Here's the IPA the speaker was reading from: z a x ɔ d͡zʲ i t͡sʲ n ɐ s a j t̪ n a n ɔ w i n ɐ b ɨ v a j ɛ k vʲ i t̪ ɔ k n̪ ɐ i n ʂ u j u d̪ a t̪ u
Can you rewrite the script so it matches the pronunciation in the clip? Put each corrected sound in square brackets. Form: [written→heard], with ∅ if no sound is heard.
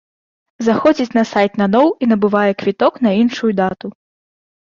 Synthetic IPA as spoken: z a x ɔ d͡zʲ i t͡sʲ n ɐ s a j t̪ n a n ɔ w i n ɐ b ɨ v a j ɛ k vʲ i t̪ ɔ k n̪ ɐ i n ʂ u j u d̪ a t̪ u